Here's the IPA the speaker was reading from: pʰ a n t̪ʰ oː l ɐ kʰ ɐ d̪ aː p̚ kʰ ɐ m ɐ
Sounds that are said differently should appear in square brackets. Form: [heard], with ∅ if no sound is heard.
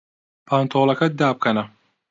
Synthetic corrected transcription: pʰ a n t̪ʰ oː l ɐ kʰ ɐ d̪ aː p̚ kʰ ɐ [n] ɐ

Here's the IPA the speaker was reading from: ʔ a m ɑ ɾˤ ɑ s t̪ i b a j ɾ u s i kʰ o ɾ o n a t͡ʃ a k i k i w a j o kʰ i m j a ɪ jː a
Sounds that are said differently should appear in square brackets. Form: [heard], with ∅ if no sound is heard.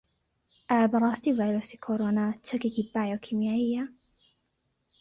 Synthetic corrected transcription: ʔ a [b] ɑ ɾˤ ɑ s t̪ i [v] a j ɾ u s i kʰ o ɾ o n a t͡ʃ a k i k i [b] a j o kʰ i m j a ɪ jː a

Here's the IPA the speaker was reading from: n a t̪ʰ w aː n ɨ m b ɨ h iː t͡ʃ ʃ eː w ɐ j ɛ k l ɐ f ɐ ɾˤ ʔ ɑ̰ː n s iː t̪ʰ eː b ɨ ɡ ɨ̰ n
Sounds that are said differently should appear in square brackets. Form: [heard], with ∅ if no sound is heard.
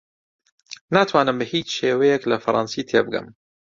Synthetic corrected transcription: n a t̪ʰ w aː n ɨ m b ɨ h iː t͡ʃ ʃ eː w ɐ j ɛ k l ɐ f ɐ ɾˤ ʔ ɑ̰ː n s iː t̪ʰ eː b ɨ ɡ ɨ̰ [m]

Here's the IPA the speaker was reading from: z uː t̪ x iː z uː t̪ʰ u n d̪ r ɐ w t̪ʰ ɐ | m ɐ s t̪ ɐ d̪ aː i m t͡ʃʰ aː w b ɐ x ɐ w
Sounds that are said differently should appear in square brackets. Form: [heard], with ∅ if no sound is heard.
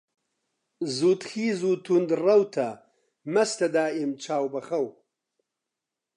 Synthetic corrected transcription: z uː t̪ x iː z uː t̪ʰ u n d̪ r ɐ w t̪ʰ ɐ | m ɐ s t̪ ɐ d̪ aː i m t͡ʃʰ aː w b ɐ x ɐ w

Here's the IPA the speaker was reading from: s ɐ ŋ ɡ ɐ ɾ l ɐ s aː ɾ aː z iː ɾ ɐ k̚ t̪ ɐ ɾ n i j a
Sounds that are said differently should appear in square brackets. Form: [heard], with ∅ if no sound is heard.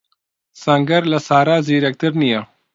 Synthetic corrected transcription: s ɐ ŋ ɡ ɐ ɾ l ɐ s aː ɾ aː z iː ɾ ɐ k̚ t̪ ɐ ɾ n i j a

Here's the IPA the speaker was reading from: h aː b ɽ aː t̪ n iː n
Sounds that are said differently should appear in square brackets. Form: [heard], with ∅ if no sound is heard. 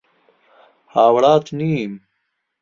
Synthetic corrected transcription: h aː [w] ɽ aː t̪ n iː [m]

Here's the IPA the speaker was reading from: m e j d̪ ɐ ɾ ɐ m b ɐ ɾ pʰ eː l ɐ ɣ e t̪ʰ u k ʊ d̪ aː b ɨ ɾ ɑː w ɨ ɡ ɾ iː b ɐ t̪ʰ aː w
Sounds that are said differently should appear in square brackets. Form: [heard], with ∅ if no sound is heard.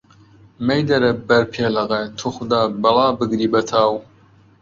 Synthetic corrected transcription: m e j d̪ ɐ ɾ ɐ [∅] b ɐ ɾ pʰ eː l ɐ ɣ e t̪ʰ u [x] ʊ d̪ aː b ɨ [l] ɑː [b] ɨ ɡ ɾ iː b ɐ t̪ʰ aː w

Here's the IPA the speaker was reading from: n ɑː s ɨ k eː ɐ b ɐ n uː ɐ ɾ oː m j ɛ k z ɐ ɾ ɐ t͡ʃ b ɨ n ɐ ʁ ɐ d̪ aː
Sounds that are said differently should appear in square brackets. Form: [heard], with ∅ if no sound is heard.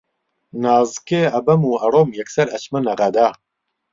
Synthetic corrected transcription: n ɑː [z] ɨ k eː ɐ b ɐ [m] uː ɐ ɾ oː m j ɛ k [s] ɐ ɾ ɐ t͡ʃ [m] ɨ n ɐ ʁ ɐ d̪ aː

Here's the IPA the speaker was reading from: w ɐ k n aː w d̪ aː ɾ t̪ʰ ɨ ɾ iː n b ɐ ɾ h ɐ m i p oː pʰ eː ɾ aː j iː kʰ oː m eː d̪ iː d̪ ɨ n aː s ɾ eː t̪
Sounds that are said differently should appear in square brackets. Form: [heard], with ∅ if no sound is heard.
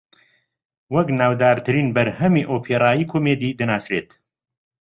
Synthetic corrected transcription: w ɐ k n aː w d̪ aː ɾ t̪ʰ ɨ ɾ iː n b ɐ ɾ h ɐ m i [ʔ] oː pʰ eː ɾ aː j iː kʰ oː m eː d̪ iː d̪ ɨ n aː s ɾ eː t̪

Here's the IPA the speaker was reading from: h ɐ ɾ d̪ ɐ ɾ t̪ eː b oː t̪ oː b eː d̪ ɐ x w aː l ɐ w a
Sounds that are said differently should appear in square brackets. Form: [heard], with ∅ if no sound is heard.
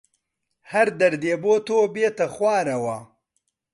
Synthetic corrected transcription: h ɐ ɾ d̪ ɐ ɾ [d̪] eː b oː t̪ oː b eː [t̪] ɐ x w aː [ɾ] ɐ w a

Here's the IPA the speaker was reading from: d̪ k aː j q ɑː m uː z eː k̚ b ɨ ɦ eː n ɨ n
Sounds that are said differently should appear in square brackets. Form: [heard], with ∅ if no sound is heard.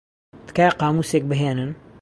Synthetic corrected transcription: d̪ k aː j q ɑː m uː [s] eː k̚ b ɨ ɦ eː n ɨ n

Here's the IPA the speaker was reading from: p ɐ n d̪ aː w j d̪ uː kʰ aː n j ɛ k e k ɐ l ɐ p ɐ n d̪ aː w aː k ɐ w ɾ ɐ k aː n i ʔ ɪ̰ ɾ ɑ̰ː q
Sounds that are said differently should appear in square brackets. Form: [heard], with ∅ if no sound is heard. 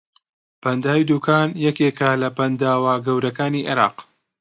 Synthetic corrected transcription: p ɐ n d̪ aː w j d̪ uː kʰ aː n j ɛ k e k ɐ l ɐ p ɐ n d̪ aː w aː [ɡ] ɐ w ɾ ɐ k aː n i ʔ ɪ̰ ɾ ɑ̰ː q

